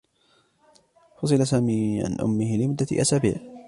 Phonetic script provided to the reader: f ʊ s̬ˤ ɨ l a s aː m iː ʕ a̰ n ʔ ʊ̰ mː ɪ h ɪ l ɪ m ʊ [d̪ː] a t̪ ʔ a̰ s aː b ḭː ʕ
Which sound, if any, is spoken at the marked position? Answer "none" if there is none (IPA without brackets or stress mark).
d̪ː